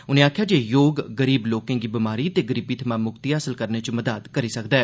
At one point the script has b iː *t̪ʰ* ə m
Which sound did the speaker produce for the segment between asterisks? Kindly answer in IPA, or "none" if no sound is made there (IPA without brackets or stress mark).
t̪ʰ